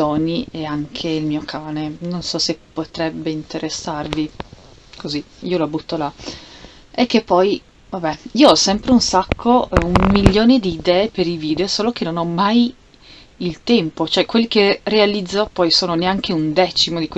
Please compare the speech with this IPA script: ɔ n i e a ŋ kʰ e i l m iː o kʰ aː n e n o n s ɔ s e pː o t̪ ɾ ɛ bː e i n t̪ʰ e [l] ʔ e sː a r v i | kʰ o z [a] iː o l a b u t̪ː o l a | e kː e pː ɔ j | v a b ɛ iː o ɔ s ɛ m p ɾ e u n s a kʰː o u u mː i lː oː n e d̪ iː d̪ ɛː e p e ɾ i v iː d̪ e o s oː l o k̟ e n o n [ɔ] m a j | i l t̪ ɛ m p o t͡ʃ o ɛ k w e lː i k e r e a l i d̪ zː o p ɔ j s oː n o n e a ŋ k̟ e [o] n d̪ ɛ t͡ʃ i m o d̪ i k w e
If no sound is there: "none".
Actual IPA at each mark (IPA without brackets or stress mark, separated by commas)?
ɾ, i, ɔ, u